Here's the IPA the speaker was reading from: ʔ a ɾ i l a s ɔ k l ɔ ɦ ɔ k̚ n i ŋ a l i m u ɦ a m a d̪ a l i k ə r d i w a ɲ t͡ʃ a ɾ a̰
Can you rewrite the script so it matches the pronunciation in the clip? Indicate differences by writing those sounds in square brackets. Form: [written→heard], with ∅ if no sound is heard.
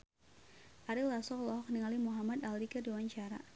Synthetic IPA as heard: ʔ a ɾ i l a s ɔ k l ɔ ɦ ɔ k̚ n i ŋ a l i m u ɦ a m a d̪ a l i k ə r d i w a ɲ t͡ʃ a ɾ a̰